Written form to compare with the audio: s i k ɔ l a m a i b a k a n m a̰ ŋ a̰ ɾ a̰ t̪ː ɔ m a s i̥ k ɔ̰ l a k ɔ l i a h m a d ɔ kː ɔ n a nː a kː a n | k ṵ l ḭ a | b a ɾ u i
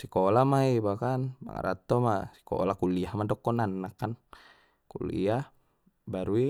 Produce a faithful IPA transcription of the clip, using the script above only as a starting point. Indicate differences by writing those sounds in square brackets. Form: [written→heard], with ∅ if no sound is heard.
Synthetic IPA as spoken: s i k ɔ l a m a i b a k a n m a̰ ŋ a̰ ɾ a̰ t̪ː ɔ m a s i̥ k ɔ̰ l a k [ɔ→u] l i a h m a d ɔ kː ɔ n a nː a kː a n | k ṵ l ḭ a | b a ɾ u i